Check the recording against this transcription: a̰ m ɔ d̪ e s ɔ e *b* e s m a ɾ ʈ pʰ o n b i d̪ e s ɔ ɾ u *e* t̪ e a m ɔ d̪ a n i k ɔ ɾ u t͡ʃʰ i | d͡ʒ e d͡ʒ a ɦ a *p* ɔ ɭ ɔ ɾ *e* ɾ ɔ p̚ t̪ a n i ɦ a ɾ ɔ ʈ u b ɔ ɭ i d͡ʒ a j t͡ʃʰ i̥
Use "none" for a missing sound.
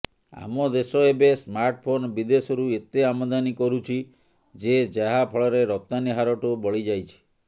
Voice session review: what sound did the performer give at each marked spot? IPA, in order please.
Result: b, e, pʰ, e

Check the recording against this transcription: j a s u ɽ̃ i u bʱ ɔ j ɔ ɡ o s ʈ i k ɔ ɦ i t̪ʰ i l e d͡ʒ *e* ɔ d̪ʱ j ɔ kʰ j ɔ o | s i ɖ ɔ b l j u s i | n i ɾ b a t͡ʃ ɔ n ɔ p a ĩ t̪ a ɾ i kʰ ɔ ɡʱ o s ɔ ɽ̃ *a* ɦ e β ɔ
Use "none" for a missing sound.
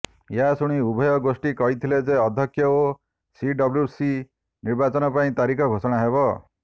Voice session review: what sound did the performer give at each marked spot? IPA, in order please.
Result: e, a

